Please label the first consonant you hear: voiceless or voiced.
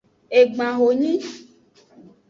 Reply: voiced